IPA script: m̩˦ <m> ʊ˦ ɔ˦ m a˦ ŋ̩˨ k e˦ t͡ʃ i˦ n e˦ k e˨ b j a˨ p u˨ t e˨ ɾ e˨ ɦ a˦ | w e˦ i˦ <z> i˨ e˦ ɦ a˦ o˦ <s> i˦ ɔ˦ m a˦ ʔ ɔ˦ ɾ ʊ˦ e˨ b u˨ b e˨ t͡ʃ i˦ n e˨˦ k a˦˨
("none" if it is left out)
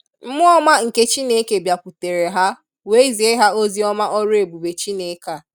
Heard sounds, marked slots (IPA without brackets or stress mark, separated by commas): m, z, z